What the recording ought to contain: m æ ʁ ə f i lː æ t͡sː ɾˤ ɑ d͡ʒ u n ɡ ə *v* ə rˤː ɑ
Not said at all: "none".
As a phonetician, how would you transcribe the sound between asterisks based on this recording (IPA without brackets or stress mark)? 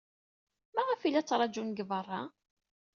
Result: v